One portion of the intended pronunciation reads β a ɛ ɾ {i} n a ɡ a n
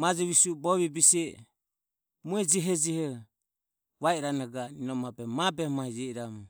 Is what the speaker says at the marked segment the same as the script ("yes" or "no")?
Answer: no